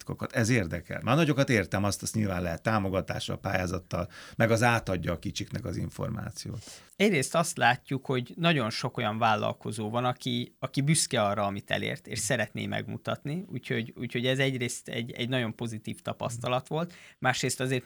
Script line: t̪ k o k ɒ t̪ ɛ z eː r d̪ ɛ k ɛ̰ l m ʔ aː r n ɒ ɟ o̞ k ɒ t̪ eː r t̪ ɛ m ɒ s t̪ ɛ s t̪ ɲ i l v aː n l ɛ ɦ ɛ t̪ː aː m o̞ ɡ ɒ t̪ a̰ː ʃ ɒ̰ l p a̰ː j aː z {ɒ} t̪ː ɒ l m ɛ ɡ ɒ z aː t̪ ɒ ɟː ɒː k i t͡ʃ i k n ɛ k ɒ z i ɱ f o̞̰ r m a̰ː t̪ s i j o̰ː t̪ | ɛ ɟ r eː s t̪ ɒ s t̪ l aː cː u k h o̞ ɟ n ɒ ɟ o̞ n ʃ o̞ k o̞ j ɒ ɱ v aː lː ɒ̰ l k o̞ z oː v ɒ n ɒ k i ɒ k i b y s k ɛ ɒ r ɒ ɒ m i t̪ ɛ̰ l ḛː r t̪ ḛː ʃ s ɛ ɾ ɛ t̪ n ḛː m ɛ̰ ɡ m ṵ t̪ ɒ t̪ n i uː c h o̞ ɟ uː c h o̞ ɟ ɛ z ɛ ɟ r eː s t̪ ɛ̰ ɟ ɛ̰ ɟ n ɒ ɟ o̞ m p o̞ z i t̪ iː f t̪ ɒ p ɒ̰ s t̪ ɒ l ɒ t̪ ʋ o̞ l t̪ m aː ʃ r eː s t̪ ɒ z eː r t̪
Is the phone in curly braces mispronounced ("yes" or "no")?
no